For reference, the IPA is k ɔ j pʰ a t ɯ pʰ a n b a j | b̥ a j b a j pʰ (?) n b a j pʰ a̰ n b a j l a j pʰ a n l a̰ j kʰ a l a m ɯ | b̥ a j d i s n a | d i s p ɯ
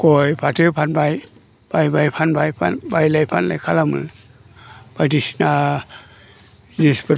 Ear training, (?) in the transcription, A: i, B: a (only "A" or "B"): B